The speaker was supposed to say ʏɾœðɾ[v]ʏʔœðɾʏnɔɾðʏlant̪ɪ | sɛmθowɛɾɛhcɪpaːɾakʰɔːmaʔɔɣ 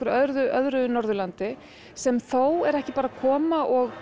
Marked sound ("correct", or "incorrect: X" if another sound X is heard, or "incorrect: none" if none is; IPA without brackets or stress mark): incorrect: ð